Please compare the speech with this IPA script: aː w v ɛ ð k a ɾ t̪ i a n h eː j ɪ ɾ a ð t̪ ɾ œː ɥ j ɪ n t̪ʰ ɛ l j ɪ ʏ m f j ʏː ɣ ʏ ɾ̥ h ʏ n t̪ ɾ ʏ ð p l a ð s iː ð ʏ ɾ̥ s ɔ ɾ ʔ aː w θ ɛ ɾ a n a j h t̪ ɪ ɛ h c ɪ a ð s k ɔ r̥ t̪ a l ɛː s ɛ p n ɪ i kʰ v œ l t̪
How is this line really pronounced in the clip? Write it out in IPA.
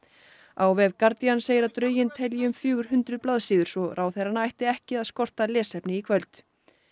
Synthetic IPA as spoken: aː w v ɛ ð k a ɾ t̪ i a n s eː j ɪ ɾ a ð t̪ ɾ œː ɥ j ɪ n t̪ʰ ɛ l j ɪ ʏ m f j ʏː ɣ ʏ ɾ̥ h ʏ n t̪ ɾ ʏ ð p l a ð s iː ð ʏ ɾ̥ s ɔ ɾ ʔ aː w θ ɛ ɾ a n a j h t̪ ɪ ɛ h c ɪ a ð s k ɔ r̥ t̪ a l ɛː s ɛ p n ɪ i kʰ v œ l t̪